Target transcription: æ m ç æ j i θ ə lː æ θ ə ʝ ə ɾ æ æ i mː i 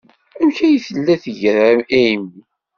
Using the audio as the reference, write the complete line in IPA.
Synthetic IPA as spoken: æ m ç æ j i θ ə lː æ θ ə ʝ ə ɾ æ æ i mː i